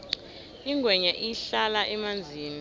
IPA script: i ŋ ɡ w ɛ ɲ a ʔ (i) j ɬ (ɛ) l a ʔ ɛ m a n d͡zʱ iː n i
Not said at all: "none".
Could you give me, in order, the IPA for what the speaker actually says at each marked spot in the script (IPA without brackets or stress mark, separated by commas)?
i, a